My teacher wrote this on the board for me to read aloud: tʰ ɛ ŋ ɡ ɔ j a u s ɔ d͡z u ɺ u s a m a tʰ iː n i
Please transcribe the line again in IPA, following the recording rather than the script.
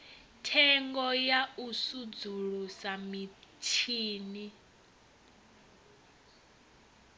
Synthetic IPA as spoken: tʰ ɛ ŋ ɡ ɔ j a u s u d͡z u ɺ u s a m i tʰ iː n i